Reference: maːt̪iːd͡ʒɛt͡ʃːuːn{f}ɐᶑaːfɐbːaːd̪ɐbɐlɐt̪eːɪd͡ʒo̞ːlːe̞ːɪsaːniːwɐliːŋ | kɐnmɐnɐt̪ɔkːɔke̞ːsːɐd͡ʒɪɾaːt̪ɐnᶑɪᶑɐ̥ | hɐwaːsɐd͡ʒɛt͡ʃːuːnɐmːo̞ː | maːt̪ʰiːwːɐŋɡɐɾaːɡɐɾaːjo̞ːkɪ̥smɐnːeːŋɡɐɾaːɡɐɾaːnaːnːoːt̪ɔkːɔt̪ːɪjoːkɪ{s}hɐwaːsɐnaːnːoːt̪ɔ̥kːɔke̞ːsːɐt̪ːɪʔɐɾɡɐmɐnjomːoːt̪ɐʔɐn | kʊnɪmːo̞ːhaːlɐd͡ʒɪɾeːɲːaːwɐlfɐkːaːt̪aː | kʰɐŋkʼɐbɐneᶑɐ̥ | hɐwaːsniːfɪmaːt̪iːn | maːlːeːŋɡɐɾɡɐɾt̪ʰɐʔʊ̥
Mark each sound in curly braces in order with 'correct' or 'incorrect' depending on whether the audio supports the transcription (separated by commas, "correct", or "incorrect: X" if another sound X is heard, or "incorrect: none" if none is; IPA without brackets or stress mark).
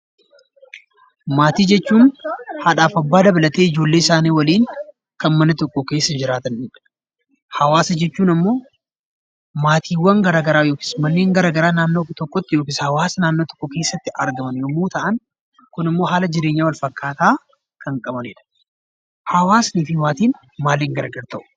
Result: incorrect: h, correct